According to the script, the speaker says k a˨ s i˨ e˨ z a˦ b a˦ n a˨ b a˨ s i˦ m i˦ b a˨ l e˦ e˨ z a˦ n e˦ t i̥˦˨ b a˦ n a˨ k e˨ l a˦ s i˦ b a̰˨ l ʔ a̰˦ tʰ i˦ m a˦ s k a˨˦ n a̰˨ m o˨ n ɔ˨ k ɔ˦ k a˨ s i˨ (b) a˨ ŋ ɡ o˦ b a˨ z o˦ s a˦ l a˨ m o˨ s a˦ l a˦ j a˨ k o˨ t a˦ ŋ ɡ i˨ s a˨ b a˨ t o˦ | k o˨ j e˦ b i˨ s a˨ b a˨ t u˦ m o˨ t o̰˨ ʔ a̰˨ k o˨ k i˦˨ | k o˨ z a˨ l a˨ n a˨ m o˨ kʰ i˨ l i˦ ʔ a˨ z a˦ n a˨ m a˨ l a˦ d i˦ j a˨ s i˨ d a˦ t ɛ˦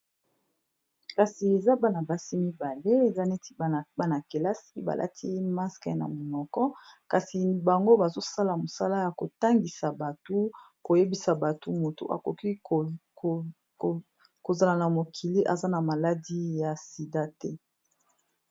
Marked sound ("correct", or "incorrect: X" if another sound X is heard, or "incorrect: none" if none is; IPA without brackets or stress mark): correct